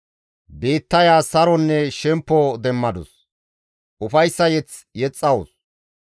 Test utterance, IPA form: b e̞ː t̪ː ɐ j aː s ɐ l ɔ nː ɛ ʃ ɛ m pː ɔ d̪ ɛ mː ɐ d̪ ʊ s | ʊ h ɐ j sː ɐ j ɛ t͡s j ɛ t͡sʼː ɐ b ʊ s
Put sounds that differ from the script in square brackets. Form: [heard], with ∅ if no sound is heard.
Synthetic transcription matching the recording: b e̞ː t̪ː ɐ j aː s ɐ [ɾ] ɔ nː ɛ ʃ ɛ m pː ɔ d̪ ɛ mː ɐ d̪ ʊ s | ʊ [f] ɐ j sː ɐ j ɛ t͡s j ɛ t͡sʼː ɐ [w] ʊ s